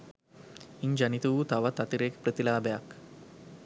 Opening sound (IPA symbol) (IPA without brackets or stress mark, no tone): i